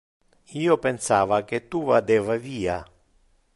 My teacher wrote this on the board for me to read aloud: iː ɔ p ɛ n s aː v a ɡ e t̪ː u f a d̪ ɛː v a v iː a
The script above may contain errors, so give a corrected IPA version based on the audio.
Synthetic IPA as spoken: iː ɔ p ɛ n s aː v a k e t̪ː u v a d̪ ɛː v a v iː a